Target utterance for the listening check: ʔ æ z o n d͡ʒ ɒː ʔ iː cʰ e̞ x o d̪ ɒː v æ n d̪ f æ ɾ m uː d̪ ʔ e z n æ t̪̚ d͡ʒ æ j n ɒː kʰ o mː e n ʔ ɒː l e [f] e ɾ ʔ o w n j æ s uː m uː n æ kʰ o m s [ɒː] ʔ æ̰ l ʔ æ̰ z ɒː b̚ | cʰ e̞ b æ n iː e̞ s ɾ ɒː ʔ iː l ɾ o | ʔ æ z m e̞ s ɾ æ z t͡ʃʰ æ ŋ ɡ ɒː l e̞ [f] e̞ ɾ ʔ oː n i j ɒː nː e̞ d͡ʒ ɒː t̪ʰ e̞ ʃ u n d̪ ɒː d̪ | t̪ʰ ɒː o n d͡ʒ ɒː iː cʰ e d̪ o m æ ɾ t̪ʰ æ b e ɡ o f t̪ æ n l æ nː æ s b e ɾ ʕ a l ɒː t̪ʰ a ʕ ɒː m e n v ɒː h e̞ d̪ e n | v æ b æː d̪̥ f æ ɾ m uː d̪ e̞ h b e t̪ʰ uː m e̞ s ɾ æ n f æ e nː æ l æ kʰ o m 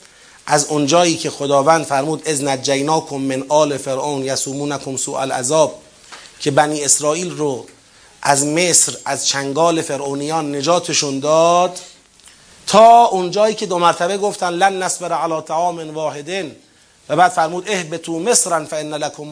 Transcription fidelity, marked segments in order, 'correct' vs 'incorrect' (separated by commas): correct, incorrect, correct